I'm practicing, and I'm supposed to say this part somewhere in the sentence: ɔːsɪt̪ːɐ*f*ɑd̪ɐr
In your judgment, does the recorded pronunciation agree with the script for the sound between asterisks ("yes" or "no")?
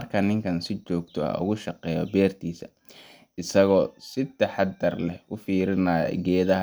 no